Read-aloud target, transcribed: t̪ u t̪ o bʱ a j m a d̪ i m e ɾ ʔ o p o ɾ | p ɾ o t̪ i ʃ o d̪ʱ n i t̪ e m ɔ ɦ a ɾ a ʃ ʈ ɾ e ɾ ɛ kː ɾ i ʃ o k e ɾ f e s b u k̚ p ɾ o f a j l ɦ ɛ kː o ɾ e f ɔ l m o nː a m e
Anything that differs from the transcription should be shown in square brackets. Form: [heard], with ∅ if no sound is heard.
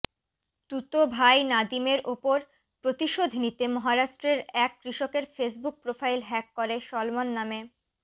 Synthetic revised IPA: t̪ u t̪ o bʱ a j [n] a d̪ i m e ɾ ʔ o p o ɾ | p ɾ o t̪ i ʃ o d̪ʱ n i t̪ e m ɔ ɦ a ɾ a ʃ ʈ ɾ e ɾ ɛ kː ɾ i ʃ o k e ɾ f e s b u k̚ p ɾ o f a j l ɦ ɛ kː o ɾ e [ʃ] ɔ l m o nː a m e

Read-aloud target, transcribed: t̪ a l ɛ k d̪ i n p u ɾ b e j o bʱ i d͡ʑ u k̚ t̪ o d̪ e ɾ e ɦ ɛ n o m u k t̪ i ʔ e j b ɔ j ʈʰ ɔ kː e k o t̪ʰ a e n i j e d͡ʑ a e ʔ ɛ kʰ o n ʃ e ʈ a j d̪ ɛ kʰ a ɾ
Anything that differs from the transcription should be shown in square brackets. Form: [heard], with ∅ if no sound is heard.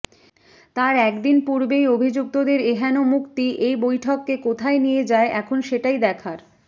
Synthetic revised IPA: t̪ a [ɾ] ɛ k d̪ i n p u ɾ b e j o bʱ i d͡ʑ u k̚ t̪ o d̪ e ɾ e ɦ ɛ n o m u k t̪ i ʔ e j b [o] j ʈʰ ɔ kː e k o t̪ʰ a e n i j e d͡ʑ a e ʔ ɛ kʰ o n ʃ e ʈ a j d̪ ɛ kʰ a ɾ

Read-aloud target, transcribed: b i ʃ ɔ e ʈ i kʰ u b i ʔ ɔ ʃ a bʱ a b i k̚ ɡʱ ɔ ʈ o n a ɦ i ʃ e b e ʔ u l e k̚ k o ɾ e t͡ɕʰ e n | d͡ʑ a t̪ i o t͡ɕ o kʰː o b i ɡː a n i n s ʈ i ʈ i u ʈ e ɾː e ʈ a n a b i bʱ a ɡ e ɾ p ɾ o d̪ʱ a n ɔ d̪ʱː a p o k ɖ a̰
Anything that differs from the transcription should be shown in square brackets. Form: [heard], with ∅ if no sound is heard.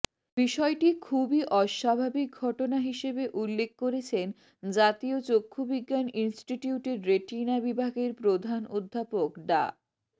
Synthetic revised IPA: b i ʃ ɔ e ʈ i kʰ u b i ʔ ɔ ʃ a bʱ a b i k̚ ɡʱ ɔ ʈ o n a ɦ i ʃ e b e ʔ u [lː] e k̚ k o ɾ e t͡ɕʰ e n | d͡ʑ a t̪ i o t͡ɕ o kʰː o b i ɡː a n i n s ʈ i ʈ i u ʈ e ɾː e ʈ [i] n a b i bʱ a ɡ e ɾ p ɾ o d̪ʱ a n [o] d̪ʱː a p o k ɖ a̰

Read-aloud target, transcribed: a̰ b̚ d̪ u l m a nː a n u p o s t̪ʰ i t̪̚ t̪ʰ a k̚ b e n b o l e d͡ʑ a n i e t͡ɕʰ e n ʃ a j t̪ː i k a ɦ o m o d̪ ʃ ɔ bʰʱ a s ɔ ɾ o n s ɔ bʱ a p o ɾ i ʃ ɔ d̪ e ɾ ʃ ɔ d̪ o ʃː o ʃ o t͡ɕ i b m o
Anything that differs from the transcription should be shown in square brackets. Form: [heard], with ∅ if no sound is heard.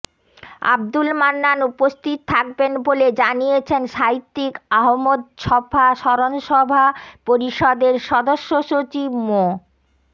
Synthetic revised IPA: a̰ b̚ d̪ u l m a nː a n u p o s t̪ʰ i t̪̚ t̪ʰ a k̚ b e n b o l e d͡ʑ a n i e t͡ɕʰ e n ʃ a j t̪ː i k a ɦ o m o d̪ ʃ ɔ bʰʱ a [ʃ] ɔ ɾ o n [ʃ] ɔ bʱ a p o ɾ i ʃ ɔ d̪ e ɾ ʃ ɔ d̪ o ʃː o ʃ o t͡ɕ i b m o

